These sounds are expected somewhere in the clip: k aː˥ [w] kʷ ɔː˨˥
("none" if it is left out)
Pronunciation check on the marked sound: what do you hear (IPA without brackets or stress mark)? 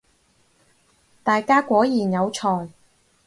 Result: none